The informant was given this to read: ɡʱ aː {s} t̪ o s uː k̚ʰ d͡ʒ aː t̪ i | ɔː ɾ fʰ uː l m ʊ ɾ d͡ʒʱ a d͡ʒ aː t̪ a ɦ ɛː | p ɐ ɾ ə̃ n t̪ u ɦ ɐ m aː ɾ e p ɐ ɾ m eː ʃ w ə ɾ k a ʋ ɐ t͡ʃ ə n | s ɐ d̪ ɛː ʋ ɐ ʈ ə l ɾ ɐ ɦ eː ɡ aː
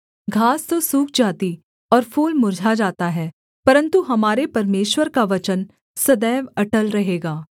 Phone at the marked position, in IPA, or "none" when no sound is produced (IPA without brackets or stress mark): s